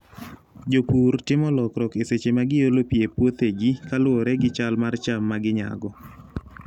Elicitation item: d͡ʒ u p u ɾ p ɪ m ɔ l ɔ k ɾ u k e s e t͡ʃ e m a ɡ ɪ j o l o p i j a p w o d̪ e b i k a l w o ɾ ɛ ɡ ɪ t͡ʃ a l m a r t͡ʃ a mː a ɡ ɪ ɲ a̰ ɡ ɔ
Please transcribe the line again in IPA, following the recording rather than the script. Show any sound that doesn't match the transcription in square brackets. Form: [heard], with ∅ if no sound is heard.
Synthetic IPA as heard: d͡ʒ [o] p u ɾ [t] ɪ m ɔ l ɔ k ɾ [ɔ] k e s e t͡ʃ e m a ɡ ɪ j o l o p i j [e] p w o [t̪] e [ɡ] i k a l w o ɾ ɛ ɡ ɪ t͡ʃ a l m a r t͡ʃ a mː a ɡ ɪ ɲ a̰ ɡ ɔ